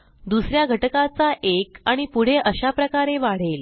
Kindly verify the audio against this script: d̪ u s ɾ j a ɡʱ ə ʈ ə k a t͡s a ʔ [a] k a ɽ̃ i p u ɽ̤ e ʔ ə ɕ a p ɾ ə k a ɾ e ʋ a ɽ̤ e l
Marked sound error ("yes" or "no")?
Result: yes